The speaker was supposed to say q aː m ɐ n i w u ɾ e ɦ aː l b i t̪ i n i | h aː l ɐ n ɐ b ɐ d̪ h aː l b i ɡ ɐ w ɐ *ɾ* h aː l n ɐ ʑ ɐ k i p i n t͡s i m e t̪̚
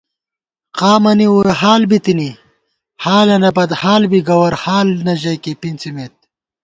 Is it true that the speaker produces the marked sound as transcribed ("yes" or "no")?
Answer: yes